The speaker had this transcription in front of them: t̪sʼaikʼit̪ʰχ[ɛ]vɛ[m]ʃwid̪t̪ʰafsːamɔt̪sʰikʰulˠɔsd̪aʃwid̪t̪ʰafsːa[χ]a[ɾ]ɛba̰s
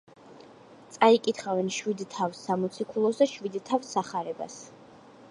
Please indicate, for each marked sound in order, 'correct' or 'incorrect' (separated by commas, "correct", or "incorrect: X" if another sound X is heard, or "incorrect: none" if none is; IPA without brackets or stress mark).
incorrect: a, incorrect: n, correct, correct